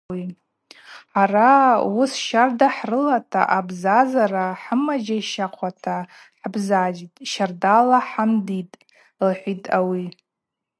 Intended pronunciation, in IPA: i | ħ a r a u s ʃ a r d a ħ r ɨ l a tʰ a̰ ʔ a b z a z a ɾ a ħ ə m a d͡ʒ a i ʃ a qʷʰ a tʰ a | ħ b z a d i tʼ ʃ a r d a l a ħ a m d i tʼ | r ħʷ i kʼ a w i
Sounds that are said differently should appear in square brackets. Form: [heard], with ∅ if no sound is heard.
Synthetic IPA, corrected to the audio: i | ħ a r a u s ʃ a r d a ħ r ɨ l a tʰ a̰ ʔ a b z a z a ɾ a ħ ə m a d͡ʒ a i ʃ a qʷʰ a tʰ a | ħ b z a [d͡ʒ] i tʼ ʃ a r d a l a ħ a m d i tʼ | [l] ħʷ i [tʼ] a w i

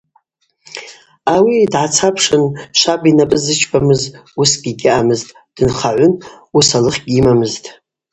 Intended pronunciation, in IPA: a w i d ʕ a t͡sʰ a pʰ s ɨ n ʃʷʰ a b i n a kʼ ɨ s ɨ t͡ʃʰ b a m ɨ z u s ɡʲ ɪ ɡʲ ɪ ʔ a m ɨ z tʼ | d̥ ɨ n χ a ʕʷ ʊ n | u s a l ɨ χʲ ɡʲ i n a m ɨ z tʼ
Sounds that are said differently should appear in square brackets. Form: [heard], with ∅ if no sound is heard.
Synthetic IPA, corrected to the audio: a w i d ʕ a t͡sʰ a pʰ [ʂ] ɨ n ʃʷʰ a b i n a [pʼ] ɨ [z] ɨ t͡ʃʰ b a m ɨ z u s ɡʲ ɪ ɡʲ ɪ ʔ a m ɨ z tʼ | d̥ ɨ n χ a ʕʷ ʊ n | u s a l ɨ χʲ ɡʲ i [m] a m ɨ z tʼ

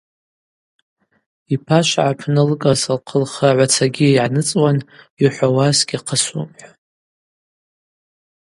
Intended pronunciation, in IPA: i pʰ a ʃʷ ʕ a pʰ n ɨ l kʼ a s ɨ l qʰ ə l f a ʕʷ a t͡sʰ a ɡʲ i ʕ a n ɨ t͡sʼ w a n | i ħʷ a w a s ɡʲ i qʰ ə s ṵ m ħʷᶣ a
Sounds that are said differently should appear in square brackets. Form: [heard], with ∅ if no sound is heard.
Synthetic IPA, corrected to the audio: i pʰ a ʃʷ ʕ a pʰ n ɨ l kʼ a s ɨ l qʰ ə l [χ] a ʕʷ a t͡sʰ a ɡʲ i ʕ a n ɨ t͡sʼ w a n | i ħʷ a w a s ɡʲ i qʰ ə s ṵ m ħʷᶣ a

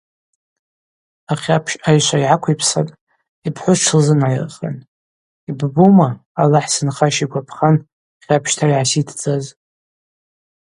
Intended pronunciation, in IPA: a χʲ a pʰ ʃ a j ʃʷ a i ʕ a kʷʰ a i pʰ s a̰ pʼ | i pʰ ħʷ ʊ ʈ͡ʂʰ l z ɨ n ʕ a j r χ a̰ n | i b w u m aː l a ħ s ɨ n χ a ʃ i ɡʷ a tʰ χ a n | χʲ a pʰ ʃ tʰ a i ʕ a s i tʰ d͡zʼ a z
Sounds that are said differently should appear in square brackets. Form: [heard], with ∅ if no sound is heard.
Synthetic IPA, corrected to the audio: a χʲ a pʰ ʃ a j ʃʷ a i ʕ a kʷʰ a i pʰ s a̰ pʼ | i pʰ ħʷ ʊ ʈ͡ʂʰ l z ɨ n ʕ a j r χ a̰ n | i b [b] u m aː l a ħ s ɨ n χ a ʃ i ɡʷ a [pʰ] χ a n | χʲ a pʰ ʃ tʰ a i ʕ a s i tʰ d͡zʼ a z

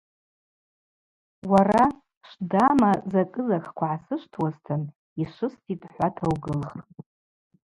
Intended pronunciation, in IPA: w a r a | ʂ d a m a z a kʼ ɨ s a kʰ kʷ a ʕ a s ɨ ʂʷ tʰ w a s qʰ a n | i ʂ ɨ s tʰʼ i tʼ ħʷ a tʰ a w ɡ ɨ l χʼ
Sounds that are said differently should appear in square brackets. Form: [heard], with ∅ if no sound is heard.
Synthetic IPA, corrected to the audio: w a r a | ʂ d a m a z a kʼ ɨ [z] a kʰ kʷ a ʕ a s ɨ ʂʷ tʰ w a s [tʰ] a n | i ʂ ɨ s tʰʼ i tʼ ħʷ a tʰ a w ɡ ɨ l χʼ

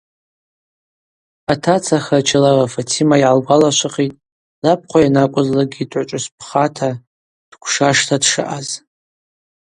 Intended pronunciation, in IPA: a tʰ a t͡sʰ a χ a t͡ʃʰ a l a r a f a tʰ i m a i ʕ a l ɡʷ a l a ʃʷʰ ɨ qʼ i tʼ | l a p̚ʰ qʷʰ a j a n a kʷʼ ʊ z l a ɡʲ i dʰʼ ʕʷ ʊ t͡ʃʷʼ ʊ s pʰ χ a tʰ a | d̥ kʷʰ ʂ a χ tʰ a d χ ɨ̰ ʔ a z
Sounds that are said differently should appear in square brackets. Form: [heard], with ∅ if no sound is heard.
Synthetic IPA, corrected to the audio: a tʰ a t͡sʰ a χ a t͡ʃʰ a l a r a f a tʰ i m a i ʕ a l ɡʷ a l a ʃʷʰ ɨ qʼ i tʼ | l a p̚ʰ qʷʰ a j a n a kʷʼ ʊ z l a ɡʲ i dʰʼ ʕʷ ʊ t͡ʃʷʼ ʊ s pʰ χ a tʰ a | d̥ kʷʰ ʂ a [ʂ] tʰ a d [ʂ] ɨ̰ ʔ a z

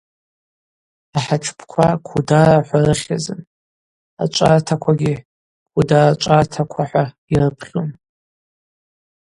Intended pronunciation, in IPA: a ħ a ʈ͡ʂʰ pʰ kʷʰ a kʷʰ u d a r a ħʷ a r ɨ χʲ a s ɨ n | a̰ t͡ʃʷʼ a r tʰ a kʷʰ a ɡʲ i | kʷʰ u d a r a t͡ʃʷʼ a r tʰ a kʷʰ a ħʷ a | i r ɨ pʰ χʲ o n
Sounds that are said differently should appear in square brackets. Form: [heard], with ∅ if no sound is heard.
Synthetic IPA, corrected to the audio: a ħ a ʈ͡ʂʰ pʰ kʷʰ a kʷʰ u d a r a ħʷ a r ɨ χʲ a [z] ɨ n | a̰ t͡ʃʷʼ a r tʰ a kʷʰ a ɡʲ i | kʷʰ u d a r a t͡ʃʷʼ a r tʰ a kʷʰ a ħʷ a | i r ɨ pʰ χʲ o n

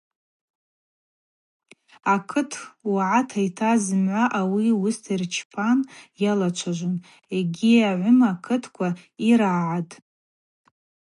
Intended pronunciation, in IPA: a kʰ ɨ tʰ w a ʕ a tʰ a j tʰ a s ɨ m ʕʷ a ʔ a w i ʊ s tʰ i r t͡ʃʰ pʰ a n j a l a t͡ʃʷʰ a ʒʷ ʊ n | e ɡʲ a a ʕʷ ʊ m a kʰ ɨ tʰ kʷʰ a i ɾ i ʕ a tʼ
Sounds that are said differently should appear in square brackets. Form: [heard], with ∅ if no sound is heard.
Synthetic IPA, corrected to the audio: a kʰ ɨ tʰ w a ʕ a tʰ a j tʰ a [z] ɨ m ʕʷ a ʔ a w i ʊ s tʰ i r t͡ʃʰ pʰ a n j a l a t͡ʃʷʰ a ʒʷ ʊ n | e ɡʲ [i] a ʕʷ ʊ m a kʰ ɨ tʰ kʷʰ a i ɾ [a] ʕ a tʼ

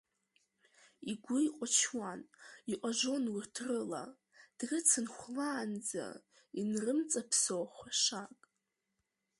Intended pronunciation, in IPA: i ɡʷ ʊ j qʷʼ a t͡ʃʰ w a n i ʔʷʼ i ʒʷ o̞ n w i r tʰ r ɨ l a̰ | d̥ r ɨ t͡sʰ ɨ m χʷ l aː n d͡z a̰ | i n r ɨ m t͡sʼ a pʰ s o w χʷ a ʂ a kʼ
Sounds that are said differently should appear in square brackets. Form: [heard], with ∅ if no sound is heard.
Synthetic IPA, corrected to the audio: i ɡʷ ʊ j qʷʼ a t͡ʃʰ w a n i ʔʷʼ [a] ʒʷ o̞ n w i r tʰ r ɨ l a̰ | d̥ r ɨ t͡sʰ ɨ [n] χʷ l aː n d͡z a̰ | i n r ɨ m t͡sʼ a pʰ s o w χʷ a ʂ a kʼ

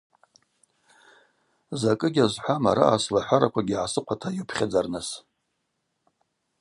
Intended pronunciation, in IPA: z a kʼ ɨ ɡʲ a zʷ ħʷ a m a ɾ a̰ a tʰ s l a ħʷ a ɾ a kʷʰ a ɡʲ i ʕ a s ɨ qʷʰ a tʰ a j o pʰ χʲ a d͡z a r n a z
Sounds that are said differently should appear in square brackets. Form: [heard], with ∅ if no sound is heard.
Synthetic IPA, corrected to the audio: z a kʼ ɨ ɡʲ a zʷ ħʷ a m a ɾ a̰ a [∅] s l a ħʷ a ɾ a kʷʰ a ɡʲ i ʕ a s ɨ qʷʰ a tʰ a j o pʰ χʲ a d͡z a r n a [s]

